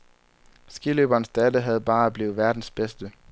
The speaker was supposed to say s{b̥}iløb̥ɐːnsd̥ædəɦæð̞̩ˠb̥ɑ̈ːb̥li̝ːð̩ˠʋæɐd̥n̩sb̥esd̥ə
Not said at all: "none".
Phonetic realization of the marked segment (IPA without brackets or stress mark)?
ɡ̥